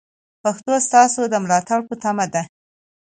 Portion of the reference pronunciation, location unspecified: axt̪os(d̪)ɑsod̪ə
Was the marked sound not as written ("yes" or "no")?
yes